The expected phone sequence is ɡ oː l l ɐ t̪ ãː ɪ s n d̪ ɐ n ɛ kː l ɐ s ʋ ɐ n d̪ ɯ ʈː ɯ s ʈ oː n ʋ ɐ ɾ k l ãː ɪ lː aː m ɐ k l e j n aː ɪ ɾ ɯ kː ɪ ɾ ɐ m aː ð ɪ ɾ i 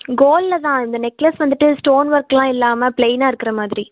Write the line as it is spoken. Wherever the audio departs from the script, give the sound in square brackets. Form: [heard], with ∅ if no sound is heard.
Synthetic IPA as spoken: ɡ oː l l ɐ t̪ ãː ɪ [∅] n d̪ ɐ n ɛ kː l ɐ s ʋ ɐ n d̪ ɯ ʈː ɯ s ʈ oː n ʋ ɐ ɾ k l ãː ɪ lː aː m ɐ [p] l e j n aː ɪ ɾ ɯ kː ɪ ɾ ɐ m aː ð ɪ ɾ i

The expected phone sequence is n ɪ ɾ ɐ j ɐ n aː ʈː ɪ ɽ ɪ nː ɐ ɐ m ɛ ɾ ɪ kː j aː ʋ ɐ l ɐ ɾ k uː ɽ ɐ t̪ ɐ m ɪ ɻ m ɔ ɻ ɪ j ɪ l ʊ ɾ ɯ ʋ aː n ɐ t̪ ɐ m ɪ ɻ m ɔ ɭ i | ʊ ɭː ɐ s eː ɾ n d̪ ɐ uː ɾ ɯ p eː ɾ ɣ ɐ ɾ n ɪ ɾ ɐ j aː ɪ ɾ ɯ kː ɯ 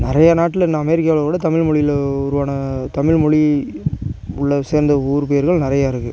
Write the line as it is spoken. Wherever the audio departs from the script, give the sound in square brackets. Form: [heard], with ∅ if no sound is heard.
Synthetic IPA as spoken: n ɪ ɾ ɐ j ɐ n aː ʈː ɪ [l] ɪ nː ɐ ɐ m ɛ ɾ ɪ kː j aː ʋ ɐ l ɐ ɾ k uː ɽ ɐ t̪ ɐ m ɪ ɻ m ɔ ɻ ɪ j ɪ l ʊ ɾ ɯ ʋ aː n ɐ t̪ ɐ m ɪ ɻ m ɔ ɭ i | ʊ ɭː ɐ s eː ɾ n d̪ ɐ uː ɾ ɯ p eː ɾ ɣ ɐ [ɭ] n ɪ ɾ ɐ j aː ɪ ɾ ɯ kː ɯ

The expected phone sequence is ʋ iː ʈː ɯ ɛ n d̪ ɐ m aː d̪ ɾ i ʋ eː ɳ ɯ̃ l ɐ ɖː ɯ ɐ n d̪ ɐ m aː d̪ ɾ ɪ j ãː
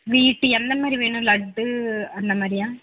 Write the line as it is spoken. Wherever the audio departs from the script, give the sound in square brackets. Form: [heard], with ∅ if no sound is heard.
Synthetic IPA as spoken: ʋ iː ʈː ɯ ɛ n d̪ ɐ m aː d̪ ɾ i ʋ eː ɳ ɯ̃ l ɐ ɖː ɯ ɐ n d̪ ɐ m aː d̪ ɾ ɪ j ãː

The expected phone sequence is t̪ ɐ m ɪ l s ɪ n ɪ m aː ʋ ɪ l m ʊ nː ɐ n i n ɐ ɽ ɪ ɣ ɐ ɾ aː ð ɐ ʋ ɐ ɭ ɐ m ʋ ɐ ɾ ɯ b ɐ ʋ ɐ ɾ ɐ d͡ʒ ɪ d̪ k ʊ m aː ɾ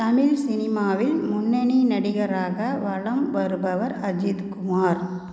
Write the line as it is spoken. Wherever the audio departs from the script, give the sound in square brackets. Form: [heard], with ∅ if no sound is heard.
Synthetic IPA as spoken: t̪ ɐ m ɪ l s ɪ n ɪ m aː ʋ ɪ l m ʊ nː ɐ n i n ɐ ɽ ɪ ɣ ɐ ɾ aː [ɣ] ɐ ʋ ɐ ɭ ɐ m ʋ ɐ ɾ ɯ b ɐ ʋ ɐ ɾ ɐ d͡ʒ ɪ d̪ k ʊ m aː ɾ

